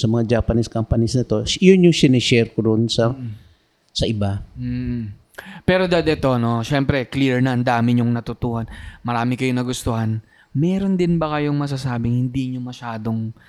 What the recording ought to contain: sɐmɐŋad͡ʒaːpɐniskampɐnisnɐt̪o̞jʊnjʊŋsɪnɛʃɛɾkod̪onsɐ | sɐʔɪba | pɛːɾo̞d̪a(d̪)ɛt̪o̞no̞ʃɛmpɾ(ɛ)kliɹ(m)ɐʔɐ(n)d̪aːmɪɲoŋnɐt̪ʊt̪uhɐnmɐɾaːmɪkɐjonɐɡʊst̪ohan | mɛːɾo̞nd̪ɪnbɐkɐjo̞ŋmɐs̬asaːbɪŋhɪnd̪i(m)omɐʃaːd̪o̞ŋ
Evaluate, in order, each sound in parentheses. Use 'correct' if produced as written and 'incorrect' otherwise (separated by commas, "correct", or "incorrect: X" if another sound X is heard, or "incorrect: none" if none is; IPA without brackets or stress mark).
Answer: correct, correct, incorrect: n, correct, incorrect: ɲ